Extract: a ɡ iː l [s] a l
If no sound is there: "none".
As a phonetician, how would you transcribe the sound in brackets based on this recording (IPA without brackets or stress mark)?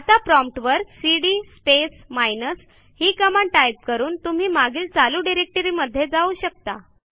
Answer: t͡s